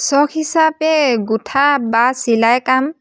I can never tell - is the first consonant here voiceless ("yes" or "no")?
yes